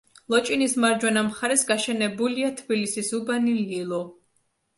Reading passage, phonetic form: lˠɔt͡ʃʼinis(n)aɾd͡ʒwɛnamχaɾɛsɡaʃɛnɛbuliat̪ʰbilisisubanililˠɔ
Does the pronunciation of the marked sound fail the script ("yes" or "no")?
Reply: yes